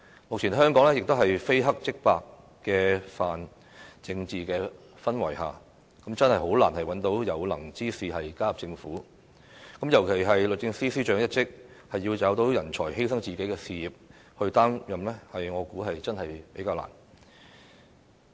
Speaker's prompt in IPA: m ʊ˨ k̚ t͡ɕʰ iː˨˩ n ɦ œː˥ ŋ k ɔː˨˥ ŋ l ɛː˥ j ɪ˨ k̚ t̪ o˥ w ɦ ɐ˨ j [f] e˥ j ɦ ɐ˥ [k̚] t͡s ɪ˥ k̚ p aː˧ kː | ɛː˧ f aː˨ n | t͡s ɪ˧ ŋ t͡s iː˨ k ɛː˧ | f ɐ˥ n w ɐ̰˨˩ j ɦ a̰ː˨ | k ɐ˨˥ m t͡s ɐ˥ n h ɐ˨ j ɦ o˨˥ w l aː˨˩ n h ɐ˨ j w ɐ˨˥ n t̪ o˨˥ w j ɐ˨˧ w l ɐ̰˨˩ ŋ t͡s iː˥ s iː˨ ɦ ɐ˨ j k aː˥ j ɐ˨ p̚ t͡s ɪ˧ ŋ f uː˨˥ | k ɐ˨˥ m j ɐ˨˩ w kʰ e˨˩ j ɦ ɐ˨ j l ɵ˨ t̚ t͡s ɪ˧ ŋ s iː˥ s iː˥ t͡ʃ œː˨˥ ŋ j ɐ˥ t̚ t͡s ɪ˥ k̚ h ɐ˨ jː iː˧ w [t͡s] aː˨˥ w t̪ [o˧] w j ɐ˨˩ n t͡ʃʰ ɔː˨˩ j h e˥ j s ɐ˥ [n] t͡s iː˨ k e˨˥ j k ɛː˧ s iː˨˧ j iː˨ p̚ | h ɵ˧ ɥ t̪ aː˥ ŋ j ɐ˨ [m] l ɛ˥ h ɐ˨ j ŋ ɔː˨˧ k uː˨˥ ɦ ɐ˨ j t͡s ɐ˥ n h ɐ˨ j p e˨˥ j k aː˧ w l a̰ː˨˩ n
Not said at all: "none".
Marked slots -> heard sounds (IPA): f, k̚, t͡s, o˨˥, ŋ, m

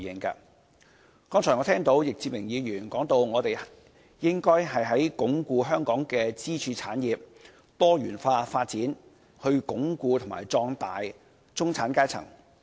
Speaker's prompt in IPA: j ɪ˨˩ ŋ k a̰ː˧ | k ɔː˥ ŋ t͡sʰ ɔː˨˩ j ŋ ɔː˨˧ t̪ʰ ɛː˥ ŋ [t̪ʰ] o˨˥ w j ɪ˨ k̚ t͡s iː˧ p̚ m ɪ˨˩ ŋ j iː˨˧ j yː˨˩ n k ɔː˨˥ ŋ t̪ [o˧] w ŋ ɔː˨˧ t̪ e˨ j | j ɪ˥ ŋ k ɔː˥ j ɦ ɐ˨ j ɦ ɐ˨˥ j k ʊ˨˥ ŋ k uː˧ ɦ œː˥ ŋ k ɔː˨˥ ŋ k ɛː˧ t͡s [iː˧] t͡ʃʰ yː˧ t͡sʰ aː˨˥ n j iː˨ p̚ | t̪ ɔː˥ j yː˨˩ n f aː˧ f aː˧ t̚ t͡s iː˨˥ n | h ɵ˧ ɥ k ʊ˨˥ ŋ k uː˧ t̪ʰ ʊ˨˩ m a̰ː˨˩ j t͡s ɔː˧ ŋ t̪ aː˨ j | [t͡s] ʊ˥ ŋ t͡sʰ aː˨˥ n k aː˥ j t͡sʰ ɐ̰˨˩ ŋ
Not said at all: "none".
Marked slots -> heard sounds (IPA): t̪, o˧, iː˥, t͡s

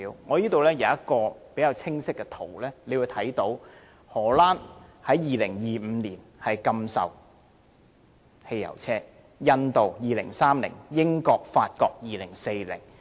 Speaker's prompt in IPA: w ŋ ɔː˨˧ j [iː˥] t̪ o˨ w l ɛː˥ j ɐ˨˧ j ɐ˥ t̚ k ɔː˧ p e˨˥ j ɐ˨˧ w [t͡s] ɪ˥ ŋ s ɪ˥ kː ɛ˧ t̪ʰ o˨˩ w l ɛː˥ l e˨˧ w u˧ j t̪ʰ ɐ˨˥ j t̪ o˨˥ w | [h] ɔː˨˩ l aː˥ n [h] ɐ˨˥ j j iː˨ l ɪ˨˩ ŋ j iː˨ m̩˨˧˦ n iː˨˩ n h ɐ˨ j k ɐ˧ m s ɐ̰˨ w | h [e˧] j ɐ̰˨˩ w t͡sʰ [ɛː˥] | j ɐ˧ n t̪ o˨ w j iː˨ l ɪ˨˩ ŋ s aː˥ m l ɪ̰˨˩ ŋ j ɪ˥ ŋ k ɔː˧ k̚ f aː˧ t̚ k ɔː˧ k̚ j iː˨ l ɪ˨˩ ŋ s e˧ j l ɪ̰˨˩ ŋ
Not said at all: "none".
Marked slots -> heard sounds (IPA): iː˥, t͡sʰ, h, h, e˧, ɛː˥

